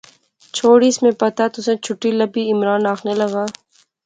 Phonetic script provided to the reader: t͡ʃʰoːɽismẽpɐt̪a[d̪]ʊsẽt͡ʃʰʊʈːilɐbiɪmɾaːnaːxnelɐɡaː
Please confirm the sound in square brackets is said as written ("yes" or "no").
no